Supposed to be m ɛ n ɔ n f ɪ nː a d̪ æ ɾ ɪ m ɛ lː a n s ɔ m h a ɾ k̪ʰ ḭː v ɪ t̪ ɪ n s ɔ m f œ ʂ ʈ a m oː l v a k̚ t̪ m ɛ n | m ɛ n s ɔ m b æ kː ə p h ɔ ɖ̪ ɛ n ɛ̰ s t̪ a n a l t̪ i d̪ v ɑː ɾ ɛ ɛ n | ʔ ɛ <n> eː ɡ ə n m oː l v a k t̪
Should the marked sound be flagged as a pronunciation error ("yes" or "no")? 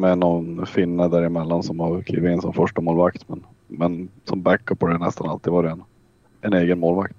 no